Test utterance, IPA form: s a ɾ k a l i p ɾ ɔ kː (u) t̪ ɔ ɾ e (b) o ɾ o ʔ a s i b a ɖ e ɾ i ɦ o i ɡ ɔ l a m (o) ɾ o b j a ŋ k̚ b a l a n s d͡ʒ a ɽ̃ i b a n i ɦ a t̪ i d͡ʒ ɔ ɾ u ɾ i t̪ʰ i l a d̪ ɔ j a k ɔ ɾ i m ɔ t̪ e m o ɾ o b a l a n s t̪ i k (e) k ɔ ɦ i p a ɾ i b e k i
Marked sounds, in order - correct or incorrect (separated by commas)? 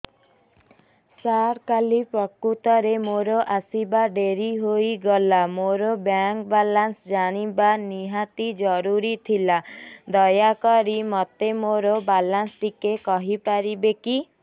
correct, incorrect, correct, correct